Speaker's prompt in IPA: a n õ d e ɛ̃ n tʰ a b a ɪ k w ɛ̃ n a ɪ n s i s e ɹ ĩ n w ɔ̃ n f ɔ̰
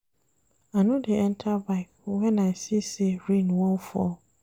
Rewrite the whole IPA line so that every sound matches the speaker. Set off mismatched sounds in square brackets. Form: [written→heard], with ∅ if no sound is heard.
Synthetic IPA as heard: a n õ d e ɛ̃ n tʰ a b a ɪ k w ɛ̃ n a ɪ [n→∅] s i s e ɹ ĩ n w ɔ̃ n f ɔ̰